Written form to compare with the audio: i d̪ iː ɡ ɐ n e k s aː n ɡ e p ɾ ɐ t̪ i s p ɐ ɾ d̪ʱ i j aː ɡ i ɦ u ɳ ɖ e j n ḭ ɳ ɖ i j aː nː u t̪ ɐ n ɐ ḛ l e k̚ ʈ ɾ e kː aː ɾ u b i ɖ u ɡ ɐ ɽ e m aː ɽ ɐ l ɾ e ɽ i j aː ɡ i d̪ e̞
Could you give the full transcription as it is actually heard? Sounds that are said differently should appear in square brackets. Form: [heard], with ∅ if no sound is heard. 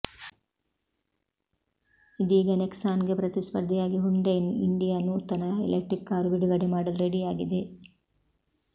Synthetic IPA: i d̪ iː ɡ ɐ n e k s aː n ɡ e p ɾ ɐ t̪ i s p ɐ ɾ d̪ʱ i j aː ɡ i ɦ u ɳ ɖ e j n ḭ ɳ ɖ i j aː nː u t̪ ɐ n ɐ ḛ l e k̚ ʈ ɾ [i] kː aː ɾ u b i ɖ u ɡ ɐ ɽ e m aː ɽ ɐ l ɾ e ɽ i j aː ɡ i d̪ e̞